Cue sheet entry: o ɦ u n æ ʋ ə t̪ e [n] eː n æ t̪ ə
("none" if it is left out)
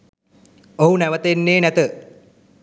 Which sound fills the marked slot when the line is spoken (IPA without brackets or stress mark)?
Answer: nː